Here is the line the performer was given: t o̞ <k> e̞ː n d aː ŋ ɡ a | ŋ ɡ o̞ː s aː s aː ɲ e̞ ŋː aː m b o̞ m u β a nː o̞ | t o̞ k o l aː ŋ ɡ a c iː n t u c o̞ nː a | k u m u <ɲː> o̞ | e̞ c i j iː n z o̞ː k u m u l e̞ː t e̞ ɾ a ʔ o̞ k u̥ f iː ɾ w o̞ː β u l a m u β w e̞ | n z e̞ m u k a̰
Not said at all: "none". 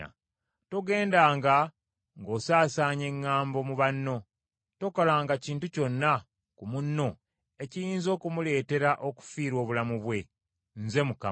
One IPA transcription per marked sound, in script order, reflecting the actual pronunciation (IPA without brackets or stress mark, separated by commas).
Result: ɡ, nː